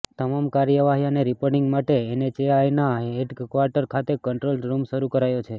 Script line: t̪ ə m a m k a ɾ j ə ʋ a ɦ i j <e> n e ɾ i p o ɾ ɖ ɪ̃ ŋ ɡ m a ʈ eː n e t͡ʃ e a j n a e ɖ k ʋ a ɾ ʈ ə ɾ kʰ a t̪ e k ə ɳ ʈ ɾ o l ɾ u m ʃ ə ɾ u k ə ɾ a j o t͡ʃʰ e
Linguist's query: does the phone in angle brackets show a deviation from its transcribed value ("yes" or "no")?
yes